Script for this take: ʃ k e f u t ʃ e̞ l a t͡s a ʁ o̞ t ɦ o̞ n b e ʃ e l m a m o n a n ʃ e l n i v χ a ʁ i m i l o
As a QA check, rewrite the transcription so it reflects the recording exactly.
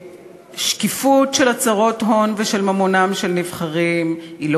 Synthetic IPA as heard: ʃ k i f u t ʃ e̞ l a t͡s a ʁ o̞ t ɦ o̞ n v e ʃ e l m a m o n a m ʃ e l n i v χ a ʁ i m i l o